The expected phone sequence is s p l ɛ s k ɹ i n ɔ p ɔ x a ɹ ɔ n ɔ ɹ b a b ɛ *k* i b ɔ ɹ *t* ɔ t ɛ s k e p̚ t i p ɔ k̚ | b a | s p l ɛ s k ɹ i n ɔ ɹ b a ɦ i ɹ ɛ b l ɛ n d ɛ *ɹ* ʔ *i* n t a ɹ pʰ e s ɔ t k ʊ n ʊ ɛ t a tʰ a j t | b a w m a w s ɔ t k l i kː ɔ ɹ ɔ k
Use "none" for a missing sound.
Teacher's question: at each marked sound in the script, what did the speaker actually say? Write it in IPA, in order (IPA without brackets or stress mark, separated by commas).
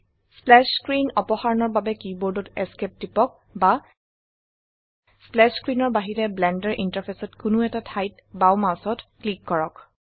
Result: k, d, ɹ, i